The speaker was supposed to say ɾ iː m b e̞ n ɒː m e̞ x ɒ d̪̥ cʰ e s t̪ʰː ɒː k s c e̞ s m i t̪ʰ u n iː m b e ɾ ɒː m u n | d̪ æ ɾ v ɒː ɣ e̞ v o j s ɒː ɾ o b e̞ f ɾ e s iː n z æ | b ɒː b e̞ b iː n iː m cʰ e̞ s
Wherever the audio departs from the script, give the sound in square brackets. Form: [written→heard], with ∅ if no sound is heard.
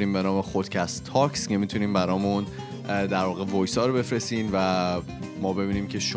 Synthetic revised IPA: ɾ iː m b e̞ n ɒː m e̞ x [ɒ→o] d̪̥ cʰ [e→æ] s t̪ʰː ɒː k s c e̞ [s→∅] m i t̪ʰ u n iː m b [e→æ] ɾ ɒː m u n | d̪ æ ɾ v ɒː ɣ e̞ v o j s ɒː ɾ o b e̞ f ɾ e s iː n [z→v] æ | [b→m] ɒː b e̞ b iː n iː m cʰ e̞ [s→ʃ]